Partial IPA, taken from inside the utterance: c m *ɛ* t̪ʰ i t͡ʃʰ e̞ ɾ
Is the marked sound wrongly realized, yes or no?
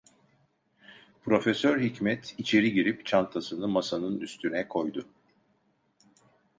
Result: no